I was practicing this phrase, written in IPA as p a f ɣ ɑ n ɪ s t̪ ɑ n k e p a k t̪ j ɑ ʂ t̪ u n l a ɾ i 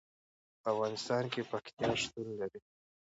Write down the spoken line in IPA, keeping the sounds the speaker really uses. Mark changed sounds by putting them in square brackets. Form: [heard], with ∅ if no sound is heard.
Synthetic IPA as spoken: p a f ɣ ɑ n ɪ s t̪ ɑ n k e p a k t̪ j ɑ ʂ t̪ u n l a ɾ i